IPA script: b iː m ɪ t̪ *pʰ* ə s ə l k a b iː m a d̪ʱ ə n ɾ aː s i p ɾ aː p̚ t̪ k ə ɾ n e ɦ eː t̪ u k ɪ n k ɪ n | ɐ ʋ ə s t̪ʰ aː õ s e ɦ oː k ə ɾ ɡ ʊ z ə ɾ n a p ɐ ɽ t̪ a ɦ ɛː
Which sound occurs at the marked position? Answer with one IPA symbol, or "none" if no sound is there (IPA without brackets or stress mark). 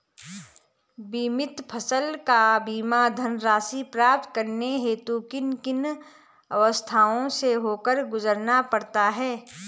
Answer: pʰ